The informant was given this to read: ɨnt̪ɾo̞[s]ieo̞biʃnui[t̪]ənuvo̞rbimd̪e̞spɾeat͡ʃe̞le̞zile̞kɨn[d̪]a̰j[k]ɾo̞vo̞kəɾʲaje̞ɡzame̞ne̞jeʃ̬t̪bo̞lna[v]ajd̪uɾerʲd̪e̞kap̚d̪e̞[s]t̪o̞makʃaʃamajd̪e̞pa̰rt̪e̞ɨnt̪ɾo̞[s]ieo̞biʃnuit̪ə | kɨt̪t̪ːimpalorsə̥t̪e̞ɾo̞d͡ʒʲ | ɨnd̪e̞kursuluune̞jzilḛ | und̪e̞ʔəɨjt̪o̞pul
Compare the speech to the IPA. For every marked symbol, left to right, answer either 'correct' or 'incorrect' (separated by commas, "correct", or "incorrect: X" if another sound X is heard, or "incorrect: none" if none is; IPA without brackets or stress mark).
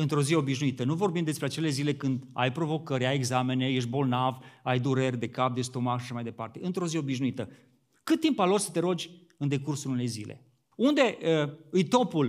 incorrect: z, correct, correct, incorrect: p, correct, correct, incorrect: z